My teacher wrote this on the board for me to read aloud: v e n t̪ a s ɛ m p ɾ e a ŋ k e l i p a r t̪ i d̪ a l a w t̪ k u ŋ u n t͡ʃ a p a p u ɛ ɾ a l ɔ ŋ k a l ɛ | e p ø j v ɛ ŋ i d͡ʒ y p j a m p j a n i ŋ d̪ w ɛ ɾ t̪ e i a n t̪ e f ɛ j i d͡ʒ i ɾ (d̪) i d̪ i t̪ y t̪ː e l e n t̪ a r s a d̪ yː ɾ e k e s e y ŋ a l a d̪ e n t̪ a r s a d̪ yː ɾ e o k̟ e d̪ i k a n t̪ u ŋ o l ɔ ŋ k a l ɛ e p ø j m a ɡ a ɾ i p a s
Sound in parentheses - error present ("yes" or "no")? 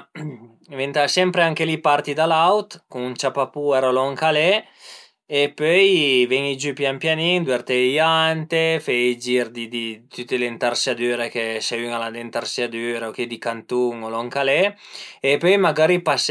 no